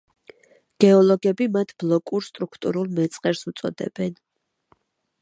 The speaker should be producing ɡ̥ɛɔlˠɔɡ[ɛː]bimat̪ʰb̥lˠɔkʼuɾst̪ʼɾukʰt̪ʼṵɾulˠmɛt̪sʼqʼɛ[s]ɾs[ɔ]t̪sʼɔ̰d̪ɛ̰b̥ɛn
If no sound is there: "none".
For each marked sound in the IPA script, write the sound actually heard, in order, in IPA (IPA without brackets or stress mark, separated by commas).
ɛ, none, u